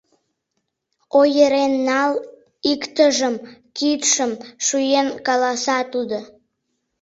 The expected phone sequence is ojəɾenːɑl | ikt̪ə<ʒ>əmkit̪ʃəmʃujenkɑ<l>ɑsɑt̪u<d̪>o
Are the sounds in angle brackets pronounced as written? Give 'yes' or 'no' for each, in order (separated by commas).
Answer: yes, yes, yes